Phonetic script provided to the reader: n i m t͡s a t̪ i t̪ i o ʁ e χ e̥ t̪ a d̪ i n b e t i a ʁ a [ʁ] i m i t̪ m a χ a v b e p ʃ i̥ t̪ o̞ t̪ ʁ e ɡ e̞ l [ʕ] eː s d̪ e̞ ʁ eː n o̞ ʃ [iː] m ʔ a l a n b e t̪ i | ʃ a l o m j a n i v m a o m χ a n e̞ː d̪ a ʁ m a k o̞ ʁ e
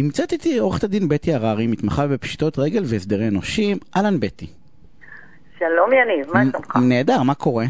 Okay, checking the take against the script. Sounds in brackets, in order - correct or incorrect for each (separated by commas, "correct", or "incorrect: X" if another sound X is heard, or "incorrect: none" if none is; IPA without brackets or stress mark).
correct, incorrect: v, incorrect: i